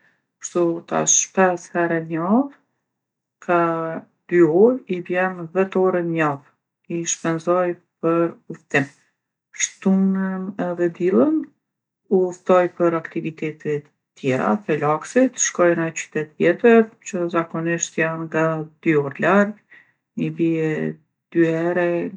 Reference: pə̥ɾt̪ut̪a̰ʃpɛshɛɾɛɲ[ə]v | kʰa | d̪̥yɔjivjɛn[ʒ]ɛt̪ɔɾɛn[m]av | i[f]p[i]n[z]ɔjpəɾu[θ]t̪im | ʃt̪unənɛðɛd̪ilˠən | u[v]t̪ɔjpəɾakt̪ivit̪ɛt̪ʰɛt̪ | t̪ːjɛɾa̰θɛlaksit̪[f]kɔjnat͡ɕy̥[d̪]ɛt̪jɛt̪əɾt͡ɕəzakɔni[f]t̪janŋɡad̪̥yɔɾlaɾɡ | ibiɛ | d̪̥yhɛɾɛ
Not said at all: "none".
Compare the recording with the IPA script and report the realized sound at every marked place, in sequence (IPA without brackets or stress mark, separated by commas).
a, v, ɲ, ʃ, ɛ, z, f, f, ʃ, t̪, ʃ